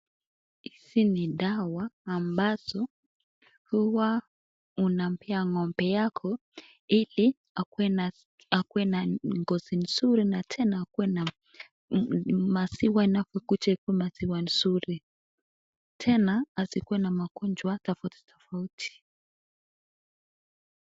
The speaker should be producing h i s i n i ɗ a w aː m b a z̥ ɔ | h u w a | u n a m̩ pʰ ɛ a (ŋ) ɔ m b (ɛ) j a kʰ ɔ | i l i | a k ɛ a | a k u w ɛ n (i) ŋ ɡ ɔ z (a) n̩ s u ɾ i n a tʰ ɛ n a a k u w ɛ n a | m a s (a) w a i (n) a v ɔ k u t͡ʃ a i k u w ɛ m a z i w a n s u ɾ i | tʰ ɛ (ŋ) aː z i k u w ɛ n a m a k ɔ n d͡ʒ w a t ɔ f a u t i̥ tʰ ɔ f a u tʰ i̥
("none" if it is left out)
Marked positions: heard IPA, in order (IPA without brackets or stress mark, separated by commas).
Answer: ŋ, ɛ, a, i, i, n, n